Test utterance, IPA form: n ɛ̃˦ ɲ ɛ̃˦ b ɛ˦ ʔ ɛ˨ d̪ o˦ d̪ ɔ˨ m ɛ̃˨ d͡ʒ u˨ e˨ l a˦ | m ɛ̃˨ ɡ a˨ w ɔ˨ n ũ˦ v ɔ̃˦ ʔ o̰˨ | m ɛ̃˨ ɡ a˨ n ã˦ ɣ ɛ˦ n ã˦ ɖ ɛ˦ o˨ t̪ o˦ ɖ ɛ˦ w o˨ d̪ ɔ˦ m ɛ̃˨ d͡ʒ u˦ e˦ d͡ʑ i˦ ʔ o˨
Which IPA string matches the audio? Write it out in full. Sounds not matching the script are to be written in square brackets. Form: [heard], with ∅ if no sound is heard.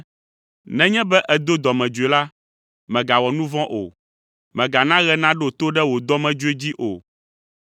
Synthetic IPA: n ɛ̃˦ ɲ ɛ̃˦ b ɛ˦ ʔ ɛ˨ d̪ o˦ d̪ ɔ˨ m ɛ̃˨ d͡ʒ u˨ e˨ l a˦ | m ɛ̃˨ ɡ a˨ w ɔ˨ n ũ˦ v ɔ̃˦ ʔ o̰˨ | m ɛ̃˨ ɡ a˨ n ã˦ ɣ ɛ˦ n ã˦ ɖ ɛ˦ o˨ t̪ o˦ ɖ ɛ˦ w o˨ d̪ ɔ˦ m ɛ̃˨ d͡ʒ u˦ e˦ d͡ʑ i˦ ʔ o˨